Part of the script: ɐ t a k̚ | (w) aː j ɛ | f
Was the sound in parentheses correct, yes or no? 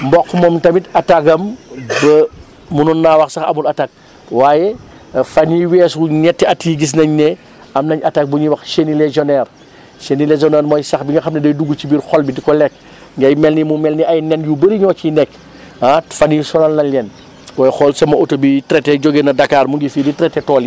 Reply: yes